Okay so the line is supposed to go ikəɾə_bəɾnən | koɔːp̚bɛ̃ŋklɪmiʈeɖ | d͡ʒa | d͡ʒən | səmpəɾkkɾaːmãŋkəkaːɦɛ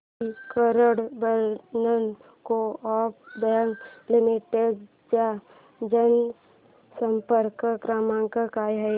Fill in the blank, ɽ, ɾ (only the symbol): ɽ